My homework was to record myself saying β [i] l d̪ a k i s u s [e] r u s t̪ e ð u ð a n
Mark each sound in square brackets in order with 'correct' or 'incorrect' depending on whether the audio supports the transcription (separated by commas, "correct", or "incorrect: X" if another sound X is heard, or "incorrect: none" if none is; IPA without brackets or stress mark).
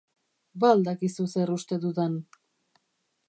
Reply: incorrect: a, correct